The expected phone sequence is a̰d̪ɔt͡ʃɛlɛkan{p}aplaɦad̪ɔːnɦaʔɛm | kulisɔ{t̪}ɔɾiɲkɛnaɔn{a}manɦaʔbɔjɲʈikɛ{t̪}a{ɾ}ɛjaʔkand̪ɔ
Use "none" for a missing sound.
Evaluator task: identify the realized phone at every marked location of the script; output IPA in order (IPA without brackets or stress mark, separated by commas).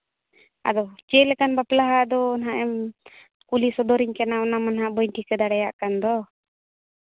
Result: b, d̪, a, d̪, ɽ